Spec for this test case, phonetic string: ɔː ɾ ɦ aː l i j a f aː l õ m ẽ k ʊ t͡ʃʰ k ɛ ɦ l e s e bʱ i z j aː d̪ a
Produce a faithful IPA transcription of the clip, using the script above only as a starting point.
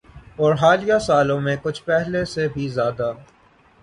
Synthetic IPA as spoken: ɔː ɾ ɦ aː l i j a s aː l õ m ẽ k ʊ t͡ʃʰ p ɛ ɦ l e s e bʱ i z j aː d̪ a